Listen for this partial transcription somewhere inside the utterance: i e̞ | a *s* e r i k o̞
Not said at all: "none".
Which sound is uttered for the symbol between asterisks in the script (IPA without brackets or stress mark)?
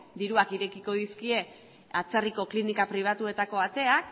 t͡s